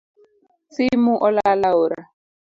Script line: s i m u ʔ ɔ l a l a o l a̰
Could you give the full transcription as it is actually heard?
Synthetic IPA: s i m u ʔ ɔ l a l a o ɾ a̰